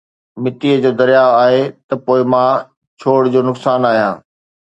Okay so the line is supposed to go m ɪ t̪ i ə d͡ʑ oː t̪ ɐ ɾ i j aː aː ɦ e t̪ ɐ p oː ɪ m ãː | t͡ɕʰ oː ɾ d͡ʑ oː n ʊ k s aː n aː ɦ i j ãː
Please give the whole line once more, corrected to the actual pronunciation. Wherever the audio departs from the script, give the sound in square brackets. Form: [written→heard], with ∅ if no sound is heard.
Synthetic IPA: m ɪ t̪ i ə d͡ʑ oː [t̪→d̪] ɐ ɾ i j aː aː ɦ e t̪ ɐ p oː ɪ m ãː | t͡ɕʰ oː [ɾ→ɽ] d͡ʑ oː n ʊ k s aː n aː ɦ i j ãː

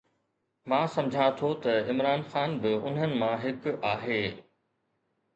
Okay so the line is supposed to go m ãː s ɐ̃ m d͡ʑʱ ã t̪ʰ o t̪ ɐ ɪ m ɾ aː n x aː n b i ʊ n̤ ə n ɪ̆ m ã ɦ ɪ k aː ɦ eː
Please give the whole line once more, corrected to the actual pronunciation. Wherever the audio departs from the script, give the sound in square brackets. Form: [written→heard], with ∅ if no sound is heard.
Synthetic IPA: m ãː s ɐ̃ m d͡ʑʱ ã t̪ʰ o t̪ ɐ ɪ m ɾ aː n x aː n b [i→ɪ] ʊ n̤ ə n ɪ̆ m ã ɦ ɪ k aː ɦ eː

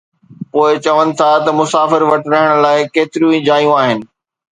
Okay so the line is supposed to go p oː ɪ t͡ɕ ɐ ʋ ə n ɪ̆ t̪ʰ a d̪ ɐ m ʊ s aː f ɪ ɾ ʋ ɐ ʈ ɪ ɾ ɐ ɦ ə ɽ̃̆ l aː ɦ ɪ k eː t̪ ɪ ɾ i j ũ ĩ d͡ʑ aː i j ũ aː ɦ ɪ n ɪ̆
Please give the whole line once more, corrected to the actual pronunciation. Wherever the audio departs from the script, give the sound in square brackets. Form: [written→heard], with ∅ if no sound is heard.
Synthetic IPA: p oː ɪ t͡ɕ ɐ ʋ ə n ɪ̆ t̪ʰ a [d̪→t̪] ɐ m ʊ s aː f ɪ ɾ ʋ ɐ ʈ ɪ ɾ ɐ ɦ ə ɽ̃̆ l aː [ɦ→∅] ɪ k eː t̪ ɪ ɾ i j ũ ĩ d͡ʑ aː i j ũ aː ɦ ɪ n ɪ̆

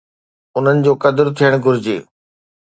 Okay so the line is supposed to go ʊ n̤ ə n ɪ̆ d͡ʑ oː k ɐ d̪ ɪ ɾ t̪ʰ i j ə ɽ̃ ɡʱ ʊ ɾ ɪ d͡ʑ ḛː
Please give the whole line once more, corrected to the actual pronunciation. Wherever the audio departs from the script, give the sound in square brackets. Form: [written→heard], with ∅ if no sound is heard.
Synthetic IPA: ʊ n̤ ə n ɪ̆ d͡ʑ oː k ɐ d̪ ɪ ɾ t̪ʰ i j ə ɽ̃ ɡʱ ʊ ɾ ɪ d͡ʑ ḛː

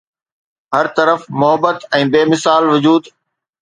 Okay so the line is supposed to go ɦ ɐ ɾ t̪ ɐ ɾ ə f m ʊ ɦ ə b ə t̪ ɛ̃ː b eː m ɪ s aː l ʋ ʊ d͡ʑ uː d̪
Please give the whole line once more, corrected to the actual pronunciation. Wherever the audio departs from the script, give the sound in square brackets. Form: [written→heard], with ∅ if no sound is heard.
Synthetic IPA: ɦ ɐ ɾ t̪ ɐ ɾ ə f m ʊ ɦ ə b ə t̪ ɛ̃ː b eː m ɪ s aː l ʋ ʊ d͡ʑ uː d̪

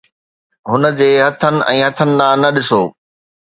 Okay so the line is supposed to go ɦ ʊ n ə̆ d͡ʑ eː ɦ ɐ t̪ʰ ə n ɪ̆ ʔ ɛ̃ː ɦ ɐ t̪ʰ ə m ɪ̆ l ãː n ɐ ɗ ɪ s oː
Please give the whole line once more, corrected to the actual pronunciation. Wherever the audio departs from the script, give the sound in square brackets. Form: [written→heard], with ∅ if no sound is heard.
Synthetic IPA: ɦ ʊ n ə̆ d͡ʑ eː ɦ ɐ t̪ʰ ə n ɪ̆ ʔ ɛ̃ː ɦ ɐ t̪ʰ ə [m→n] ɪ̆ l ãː n ɐ ɗ ɪ s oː

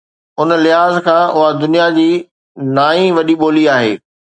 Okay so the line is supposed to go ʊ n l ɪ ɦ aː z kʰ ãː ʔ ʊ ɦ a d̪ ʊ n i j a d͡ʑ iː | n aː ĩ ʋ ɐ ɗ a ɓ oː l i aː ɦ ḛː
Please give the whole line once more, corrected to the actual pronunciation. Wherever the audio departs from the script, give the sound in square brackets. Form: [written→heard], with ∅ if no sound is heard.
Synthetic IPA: ʊ n l ɪ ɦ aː z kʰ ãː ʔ ʊ ɦ a d̪ ʊ n i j a d͡ʑ iː | n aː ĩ ʋ ɐ ɗ [a→i] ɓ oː l i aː ɦ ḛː

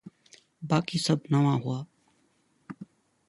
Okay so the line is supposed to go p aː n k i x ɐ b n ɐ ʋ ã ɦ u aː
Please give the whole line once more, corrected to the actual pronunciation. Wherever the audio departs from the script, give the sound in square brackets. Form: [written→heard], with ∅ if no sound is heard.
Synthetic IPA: [p→b] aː [n→∅] k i [x→s] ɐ b n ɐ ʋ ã ɦ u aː

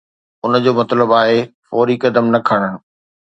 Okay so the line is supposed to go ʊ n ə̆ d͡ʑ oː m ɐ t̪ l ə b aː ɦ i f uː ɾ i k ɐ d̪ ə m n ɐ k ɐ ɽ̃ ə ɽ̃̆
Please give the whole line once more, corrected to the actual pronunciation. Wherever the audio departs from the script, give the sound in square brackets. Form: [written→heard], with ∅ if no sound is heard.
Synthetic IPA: ʊ n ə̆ d͡ʑ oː m ɐ t̪ l ə b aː ɦ [i→e] f [uː→ɔː] ɾ i k ɐ d̪ ə m n ɐ [k→kʰ] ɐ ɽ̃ ə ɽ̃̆

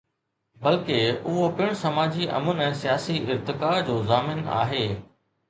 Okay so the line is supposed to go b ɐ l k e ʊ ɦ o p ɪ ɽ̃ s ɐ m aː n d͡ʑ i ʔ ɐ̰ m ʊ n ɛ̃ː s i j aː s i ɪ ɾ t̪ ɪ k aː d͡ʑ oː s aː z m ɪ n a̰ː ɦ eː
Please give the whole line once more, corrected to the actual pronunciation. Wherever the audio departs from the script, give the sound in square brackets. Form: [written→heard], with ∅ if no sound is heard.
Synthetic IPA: b ɐ l k e ʊ ɦ o p ɪ ɽ̃ s ɐ m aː [n→∅] d͡ʑ i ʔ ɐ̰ m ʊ n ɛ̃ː s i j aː s i ɪ ɾ t̪ ɪ k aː d͡ʑ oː [s→z] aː [z→∅] m ɪ n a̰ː ɦ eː

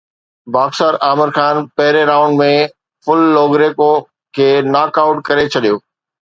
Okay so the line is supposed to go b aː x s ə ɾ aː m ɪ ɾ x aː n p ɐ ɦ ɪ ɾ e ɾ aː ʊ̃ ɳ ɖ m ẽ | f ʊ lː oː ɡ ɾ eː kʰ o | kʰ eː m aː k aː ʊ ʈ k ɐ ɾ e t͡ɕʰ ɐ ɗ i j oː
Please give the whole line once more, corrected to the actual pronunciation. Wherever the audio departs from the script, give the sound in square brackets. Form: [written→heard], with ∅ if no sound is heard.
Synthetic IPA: b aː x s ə ɾ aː m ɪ ɾ x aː n p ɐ ɦ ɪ ɾ e ɾ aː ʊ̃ ɳ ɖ m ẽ | f ʊ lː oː ɡ ɾ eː [kʰ→k] o | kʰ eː [m→n] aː k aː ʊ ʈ k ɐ ɾ e t͡ɕʰ ɐ ɗ i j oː

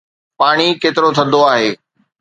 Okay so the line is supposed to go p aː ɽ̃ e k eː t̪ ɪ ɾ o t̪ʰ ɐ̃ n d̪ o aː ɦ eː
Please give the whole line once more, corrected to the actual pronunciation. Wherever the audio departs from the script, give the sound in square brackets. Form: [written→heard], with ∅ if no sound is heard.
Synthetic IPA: p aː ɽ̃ [e→i] k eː t̪ ɪ ɾ o t̪ʰ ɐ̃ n d̪ o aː ɦ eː

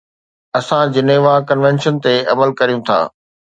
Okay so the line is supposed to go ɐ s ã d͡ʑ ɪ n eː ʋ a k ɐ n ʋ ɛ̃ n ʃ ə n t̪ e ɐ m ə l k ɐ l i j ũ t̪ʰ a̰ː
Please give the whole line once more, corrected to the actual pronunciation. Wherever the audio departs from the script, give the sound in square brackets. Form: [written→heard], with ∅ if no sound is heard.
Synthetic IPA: ɐ s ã d͡ʑ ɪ n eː ʋ a k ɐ n ʋ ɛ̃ n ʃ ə n t̪ e ɐ m ə l k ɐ [l→ɾ] i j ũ t̪ʰ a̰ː

